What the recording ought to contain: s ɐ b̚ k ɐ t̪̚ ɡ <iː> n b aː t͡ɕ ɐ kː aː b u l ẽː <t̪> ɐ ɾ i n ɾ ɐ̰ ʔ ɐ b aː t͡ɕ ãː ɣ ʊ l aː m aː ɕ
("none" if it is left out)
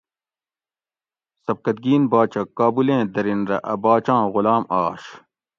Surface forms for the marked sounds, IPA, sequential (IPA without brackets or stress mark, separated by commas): iː, d̪